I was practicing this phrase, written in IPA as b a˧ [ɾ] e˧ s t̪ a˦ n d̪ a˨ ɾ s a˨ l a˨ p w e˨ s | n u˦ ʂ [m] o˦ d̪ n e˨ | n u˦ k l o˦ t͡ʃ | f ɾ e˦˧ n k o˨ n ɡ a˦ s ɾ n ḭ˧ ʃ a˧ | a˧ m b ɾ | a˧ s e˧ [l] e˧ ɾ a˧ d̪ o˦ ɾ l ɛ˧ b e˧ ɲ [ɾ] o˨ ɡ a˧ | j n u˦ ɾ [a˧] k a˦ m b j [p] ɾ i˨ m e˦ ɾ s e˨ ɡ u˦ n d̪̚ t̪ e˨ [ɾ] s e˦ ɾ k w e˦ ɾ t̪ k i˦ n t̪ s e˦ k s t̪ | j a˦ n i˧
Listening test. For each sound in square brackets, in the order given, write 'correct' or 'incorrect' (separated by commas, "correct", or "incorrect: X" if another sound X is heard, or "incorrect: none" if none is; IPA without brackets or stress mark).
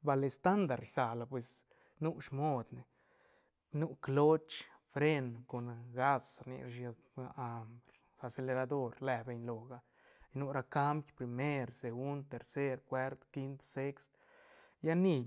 incorrect: l, correct, correct, incorrect: l, correct, correct, correct